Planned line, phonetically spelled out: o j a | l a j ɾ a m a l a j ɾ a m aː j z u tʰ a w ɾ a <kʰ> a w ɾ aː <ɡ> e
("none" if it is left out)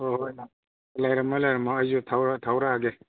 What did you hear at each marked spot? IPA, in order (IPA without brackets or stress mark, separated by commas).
tʰ, ɡ